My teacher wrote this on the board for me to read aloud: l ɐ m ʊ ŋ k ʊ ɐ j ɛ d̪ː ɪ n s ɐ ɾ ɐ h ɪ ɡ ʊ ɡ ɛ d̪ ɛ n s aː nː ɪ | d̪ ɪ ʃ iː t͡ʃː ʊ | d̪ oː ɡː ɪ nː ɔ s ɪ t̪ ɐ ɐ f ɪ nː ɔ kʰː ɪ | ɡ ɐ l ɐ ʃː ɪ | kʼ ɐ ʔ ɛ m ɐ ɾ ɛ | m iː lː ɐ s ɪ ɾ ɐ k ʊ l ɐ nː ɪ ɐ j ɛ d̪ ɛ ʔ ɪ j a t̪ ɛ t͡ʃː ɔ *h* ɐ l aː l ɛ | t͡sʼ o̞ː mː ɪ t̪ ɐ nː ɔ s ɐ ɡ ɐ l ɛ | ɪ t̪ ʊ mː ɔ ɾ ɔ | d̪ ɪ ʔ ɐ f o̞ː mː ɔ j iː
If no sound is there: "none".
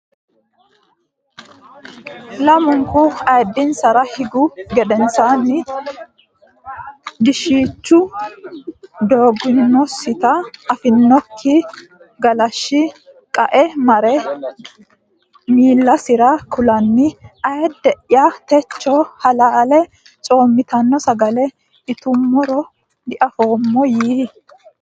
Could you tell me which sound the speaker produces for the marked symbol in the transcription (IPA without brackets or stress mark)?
h